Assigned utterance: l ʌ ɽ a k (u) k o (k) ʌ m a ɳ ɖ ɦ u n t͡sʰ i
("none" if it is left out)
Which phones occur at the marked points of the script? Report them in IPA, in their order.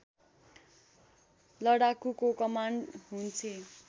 u, k

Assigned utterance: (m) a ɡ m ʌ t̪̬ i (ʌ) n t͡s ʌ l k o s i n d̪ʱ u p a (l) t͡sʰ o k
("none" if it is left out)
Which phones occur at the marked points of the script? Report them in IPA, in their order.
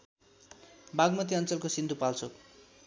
b, ʌ, l

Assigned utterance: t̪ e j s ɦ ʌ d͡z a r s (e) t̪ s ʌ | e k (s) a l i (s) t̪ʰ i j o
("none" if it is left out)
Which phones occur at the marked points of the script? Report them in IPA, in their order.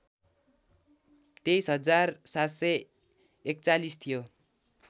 a, t͡s, s

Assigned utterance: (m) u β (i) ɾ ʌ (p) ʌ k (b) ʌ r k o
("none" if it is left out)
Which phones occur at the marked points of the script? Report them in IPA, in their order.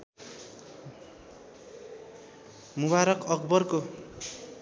m, a, k, b

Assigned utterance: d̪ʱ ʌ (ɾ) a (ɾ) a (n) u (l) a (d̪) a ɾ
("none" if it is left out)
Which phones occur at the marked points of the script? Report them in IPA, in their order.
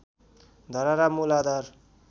ɾ, ɾ, m, l, d̪

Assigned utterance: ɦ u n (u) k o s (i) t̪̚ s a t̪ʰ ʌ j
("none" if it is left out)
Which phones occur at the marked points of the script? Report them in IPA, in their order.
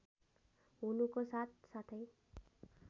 u, a

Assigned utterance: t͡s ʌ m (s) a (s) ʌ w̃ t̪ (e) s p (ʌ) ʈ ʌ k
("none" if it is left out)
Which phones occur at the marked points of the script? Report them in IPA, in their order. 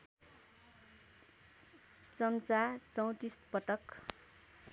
t͡s, t͡s, i, ʌ

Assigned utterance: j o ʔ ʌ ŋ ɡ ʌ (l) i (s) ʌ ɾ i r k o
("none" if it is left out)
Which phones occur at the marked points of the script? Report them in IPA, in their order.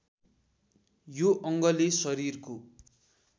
l, s

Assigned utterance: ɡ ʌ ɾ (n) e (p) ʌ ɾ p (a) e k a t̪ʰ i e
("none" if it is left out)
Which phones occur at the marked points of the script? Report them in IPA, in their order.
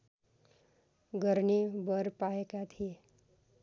n, b, a

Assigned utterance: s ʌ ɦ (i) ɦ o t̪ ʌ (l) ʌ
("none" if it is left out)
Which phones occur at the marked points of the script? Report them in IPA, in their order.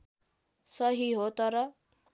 i, ɾ

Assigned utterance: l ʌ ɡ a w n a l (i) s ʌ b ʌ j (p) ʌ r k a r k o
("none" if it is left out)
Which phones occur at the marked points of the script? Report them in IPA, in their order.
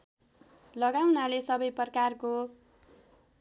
e, p

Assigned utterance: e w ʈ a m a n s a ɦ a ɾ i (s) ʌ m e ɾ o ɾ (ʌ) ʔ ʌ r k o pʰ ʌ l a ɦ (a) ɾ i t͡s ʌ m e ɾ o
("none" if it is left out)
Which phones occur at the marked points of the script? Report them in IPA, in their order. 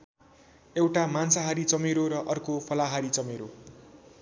t͡s, ʌ, a

